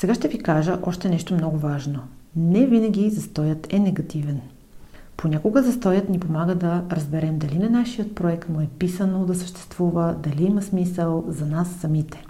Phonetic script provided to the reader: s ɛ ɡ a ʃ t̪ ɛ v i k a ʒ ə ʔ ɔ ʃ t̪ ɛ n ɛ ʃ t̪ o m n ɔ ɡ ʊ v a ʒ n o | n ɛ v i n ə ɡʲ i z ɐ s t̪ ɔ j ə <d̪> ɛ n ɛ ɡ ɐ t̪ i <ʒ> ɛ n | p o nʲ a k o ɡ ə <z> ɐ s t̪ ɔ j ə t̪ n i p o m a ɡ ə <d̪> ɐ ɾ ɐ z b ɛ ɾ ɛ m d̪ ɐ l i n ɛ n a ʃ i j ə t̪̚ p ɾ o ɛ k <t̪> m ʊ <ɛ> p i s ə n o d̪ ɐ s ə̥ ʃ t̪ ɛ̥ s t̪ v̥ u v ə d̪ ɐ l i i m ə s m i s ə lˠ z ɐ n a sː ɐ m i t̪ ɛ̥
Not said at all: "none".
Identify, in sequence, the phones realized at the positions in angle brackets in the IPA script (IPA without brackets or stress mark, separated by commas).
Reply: t̪, v, z, d̪, t̪, ɛ